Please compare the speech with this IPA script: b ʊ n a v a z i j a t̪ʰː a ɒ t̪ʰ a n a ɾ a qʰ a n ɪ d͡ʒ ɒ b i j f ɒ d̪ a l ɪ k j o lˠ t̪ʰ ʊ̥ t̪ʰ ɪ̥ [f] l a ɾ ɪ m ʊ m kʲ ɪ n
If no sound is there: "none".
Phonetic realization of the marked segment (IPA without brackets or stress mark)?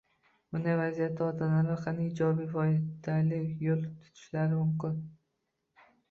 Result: ʃ